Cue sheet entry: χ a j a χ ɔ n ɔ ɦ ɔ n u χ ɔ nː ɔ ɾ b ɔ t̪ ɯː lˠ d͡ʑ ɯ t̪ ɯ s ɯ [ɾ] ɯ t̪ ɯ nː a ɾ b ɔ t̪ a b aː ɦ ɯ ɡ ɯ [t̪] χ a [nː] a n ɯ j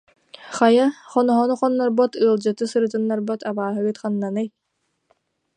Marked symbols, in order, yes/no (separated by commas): yes, yes, yes